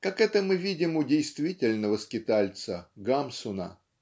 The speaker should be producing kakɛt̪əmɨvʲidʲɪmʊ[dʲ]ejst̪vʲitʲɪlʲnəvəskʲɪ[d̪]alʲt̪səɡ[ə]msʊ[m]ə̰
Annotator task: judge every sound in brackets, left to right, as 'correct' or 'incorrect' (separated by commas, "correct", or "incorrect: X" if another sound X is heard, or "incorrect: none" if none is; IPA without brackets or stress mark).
correct, incorrect: t̪, incorrect: a, incorrect: n